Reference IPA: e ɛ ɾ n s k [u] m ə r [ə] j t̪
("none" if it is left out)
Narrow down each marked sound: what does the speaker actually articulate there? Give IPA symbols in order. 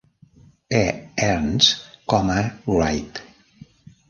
ɔ, a

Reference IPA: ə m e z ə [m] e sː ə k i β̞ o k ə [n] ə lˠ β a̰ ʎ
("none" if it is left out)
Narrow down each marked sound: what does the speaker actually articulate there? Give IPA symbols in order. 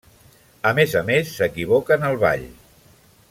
m, n

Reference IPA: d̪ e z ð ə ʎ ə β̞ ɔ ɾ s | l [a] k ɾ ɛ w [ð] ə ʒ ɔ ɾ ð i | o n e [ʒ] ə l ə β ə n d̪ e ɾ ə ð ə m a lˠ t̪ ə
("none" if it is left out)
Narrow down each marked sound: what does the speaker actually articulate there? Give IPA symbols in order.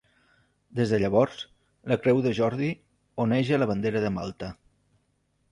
ə, ð, ʒ

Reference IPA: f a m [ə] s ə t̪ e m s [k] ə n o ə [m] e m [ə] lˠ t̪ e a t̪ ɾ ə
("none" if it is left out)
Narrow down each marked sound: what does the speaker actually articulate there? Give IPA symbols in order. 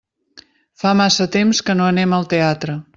a, k, n, ə

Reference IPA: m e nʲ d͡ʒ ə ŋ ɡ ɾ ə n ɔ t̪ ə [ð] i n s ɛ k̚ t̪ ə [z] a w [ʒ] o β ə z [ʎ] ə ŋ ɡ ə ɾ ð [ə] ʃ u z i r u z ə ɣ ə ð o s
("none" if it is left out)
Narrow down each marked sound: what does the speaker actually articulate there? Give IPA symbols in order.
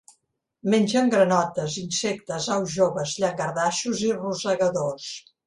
z, z, ʒ, ʎ, a

